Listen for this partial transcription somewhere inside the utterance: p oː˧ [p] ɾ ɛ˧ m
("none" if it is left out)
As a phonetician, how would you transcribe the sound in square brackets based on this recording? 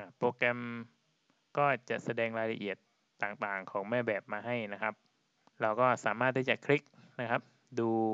k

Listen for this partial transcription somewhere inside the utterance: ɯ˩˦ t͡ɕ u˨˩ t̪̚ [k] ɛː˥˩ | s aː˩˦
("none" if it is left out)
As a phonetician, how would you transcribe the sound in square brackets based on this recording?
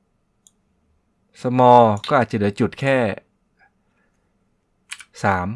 kʰ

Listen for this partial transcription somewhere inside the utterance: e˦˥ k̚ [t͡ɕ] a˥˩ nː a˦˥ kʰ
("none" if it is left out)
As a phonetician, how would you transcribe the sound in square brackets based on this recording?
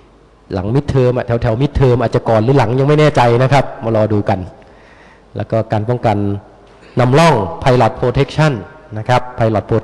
t͡ɕʰ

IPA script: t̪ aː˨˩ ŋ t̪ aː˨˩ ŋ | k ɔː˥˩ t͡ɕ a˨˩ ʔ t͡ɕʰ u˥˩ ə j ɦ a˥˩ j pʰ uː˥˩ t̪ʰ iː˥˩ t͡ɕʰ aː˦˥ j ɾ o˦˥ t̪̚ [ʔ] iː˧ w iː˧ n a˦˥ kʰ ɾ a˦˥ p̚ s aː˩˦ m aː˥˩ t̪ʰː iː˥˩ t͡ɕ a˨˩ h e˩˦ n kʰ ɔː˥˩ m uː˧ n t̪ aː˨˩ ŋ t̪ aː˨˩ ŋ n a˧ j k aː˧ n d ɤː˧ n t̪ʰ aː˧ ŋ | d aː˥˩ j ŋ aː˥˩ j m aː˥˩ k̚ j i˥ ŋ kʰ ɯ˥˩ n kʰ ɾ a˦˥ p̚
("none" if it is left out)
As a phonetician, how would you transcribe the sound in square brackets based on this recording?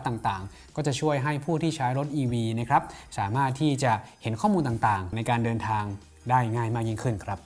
ʔ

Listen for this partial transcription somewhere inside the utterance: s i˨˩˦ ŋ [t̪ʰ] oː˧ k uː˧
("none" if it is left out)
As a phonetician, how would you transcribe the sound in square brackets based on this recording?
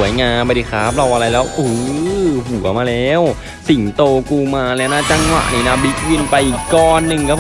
t̪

